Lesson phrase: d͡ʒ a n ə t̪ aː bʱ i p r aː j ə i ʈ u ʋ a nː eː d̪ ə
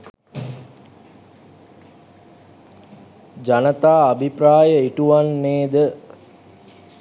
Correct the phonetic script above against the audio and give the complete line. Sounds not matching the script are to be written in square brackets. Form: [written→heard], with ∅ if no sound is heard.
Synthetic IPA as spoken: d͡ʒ a n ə t̪ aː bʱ i p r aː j ə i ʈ u ʋ a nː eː d̪ ə